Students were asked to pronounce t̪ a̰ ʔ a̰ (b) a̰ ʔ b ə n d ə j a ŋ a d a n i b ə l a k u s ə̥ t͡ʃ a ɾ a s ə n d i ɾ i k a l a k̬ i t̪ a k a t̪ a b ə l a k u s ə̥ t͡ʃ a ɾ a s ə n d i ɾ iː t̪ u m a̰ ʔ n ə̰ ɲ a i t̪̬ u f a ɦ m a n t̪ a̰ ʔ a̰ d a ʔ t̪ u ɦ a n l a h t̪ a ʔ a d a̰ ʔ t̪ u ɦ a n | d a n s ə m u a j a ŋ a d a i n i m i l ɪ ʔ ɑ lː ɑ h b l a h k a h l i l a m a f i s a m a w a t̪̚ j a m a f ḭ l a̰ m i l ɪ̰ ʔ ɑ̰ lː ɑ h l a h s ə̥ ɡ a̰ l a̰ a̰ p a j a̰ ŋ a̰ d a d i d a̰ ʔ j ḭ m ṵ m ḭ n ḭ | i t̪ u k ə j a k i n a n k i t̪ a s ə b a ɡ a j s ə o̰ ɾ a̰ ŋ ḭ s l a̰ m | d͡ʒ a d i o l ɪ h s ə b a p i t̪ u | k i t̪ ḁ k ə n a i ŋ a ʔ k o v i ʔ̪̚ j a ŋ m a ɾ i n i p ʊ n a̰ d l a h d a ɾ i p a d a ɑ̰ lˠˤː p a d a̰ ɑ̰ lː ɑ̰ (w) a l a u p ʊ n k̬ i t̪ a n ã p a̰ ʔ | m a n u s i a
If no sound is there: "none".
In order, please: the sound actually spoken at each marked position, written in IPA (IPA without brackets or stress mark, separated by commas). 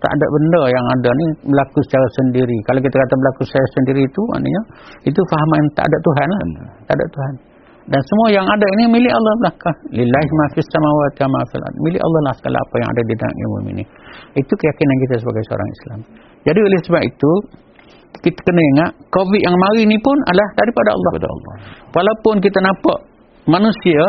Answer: d, w